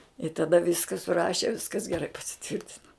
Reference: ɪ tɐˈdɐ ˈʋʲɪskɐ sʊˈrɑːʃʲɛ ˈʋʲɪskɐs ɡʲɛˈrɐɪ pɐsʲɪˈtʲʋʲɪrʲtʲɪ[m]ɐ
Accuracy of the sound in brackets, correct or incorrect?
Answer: incorrect: n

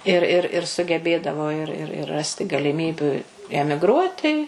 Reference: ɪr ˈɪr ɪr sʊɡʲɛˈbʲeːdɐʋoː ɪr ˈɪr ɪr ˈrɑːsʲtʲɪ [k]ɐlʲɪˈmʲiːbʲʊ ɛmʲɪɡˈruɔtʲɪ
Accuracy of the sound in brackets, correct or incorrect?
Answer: incorrect: ɡ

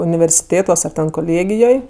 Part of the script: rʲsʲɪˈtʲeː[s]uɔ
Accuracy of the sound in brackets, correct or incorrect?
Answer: incorrect: t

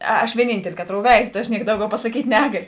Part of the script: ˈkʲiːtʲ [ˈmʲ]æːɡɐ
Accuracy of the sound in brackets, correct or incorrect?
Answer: incorrect: nʲ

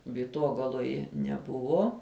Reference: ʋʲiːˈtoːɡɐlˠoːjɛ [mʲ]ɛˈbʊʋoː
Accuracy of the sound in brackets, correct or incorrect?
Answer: incorrect: nʲ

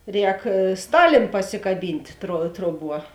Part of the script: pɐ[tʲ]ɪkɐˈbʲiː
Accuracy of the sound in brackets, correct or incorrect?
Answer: incorrect: sʲ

